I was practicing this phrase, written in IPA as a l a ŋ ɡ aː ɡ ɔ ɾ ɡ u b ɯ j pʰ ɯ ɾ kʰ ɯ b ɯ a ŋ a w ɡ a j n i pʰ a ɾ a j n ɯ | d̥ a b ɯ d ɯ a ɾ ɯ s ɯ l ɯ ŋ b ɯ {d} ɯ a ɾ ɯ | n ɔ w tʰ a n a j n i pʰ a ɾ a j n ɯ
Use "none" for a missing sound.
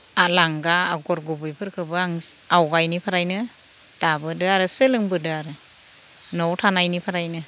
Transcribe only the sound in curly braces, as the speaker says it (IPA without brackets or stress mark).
d